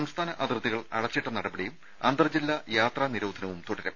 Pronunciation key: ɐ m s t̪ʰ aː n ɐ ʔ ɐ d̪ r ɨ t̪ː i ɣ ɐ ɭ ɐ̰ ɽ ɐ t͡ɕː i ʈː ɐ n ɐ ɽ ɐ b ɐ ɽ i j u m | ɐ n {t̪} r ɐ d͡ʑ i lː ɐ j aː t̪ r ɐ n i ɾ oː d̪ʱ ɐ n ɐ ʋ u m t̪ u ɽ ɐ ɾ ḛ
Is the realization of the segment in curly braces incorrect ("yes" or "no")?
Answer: yes